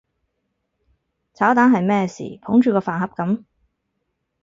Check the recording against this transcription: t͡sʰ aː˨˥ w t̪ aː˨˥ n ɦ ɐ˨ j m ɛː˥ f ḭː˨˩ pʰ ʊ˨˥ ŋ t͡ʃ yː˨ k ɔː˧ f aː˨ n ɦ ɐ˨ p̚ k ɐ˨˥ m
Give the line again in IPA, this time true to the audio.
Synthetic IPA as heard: t͡sʰ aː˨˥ w t̪ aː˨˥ n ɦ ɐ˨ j m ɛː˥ s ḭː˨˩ pʰ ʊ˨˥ ŋ t͡ʃ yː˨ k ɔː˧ f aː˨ n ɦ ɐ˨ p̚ k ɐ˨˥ m